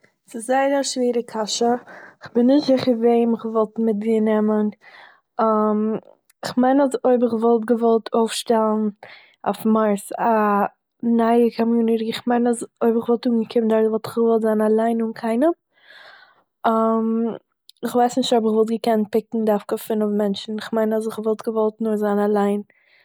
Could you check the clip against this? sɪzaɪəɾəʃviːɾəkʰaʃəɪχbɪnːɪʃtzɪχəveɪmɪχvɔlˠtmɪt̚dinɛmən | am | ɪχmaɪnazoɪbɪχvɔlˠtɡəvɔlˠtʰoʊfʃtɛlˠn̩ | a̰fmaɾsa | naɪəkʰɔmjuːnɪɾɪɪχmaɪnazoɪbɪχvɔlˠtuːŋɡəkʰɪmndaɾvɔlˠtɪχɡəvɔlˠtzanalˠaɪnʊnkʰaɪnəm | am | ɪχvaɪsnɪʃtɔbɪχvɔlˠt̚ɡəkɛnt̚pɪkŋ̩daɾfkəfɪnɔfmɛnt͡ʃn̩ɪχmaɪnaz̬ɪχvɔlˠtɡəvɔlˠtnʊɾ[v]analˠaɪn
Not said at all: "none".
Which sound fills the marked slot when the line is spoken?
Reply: z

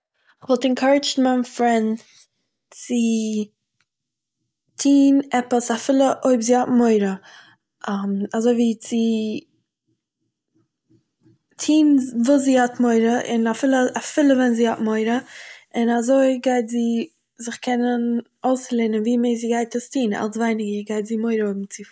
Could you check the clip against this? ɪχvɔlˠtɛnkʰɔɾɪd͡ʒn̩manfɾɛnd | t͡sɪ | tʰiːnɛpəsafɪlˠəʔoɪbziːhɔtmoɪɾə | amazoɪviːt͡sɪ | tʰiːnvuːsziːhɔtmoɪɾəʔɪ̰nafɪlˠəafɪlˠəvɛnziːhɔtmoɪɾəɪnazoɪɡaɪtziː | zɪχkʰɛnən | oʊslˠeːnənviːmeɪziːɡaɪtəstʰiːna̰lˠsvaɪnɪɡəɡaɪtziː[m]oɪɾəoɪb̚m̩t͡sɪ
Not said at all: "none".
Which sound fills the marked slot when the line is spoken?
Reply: m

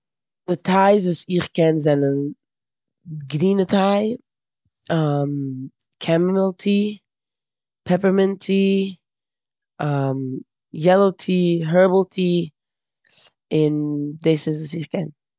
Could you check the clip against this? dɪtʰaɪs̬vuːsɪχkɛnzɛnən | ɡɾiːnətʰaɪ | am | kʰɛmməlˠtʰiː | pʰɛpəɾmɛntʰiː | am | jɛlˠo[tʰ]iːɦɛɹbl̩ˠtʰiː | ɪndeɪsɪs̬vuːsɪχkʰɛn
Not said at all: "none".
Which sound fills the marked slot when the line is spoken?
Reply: tʰ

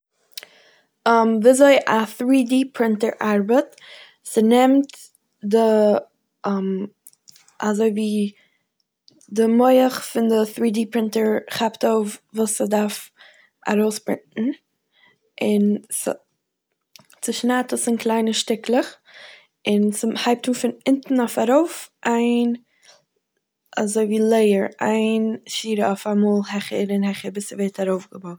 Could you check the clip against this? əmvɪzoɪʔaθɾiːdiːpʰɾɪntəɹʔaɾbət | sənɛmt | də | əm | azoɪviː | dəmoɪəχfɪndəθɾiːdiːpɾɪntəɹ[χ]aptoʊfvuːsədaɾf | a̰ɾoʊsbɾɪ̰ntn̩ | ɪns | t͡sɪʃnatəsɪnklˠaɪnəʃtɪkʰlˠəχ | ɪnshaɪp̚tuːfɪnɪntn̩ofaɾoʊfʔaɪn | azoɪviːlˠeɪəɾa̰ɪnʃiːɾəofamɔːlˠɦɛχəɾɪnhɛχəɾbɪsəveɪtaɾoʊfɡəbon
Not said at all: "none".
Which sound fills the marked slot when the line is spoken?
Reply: χ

